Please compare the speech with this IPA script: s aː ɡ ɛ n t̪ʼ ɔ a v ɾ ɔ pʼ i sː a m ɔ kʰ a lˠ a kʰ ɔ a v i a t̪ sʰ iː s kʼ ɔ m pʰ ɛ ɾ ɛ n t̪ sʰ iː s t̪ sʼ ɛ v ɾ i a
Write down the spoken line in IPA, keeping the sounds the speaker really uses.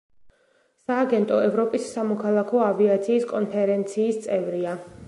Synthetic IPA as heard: s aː ɡ ɛ n t̪ʼ ɔ ɛ v ɾ ɔ pʼ i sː a m ɔ kʰ a lˠ a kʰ ɔ a v i a t̪ sʰ iː s kʼ ɔ n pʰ ɛ ɾ ɛ n t̪ sʰ iː s t̪ sʼ ɛ v ɾ i a